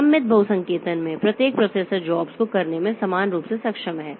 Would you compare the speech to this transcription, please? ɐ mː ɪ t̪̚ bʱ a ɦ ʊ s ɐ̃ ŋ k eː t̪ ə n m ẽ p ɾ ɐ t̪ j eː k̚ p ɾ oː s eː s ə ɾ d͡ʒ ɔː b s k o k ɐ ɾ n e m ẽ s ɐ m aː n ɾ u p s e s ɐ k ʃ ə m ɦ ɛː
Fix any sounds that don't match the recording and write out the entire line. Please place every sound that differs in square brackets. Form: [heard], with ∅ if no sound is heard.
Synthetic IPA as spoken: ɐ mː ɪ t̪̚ bʱ [ɐ] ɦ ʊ s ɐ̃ ŋ k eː t̪ ə n m ẽ p ɾ ɐ t̪ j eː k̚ p ɾ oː s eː s ə ɾ d͡ʒ ɔː b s k o k ɐ ɾ n e m ẽ s ɐ m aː n ɾ [uː] p s e s ɐ k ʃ ə m ɦ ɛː